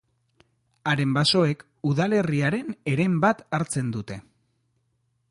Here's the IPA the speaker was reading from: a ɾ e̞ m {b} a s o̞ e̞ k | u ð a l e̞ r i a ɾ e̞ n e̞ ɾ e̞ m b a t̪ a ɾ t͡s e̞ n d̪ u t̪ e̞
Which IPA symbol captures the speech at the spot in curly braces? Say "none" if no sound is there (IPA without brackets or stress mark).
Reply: b